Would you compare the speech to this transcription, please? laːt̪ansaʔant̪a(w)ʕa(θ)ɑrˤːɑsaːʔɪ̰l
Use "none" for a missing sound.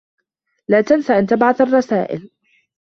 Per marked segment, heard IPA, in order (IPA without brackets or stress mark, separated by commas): b, θ